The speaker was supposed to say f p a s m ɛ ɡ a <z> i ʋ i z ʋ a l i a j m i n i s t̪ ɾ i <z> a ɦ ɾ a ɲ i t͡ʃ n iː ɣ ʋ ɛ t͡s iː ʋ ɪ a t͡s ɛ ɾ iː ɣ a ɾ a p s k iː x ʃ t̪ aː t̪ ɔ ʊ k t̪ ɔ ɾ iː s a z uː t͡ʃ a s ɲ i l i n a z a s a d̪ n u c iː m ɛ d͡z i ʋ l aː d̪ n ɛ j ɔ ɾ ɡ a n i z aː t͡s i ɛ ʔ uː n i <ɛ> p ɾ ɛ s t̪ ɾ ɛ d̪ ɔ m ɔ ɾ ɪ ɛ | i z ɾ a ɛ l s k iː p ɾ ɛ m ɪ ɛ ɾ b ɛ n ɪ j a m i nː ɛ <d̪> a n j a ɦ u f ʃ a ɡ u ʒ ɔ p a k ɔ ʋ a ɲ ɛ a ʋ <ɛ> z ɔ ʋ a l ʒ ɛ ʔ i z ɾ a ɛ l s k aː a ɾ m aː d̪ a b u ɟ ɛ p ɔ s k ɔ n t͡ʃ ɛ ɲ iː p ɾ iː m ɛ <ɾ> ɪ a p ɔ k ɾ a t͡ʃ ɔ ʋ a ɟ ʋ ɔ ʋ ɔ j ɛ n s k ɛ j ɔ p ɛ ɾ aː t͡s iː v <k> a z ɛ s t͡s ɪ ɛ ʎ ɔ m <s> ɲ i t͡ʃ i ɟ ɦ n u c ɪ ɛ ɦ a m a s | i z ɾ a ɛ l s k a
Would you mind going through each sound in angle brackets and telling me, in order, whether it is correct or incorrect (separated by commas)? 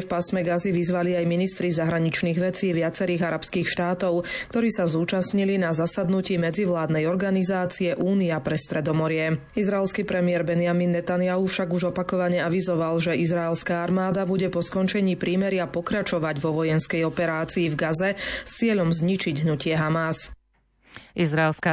correct, correct, incorrect, incorrect, incorrect, correct, incorrect, incorrect